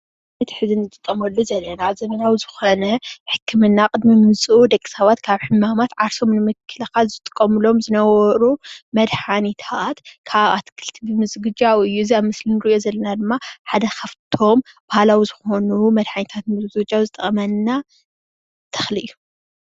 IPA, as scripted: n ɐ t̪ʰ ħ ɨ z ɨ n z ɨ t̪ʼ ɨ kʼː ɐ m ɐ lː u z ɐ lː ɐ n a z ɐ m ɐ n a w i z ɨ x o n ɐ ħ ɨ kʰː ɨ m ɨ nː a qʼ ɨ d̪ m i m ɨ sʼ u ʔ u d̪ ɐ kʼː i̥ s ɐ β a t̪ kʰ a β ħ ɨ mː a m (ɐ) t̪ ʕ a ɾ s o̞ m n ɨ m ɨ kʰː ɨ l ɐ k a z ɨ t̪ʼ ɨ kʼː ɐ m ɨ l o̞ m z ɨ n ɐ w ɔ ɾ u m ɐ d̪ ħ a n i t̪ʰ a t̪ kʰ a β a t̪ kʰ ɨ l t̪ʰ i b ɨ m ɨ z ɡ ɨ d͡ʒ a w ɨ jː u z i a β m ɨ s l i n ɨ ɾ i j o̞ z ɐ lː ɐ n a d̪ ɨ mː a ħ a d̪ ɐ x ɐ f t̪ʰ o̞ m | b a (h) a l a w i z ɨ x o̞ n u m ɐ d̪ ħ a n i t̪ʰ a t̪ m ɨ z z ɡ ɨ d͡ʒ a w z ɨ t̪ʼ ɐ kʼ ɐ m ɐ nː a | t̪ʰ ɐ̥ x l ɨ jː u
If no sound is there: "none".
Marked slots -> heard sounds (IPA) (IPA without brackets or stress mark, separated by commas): a, h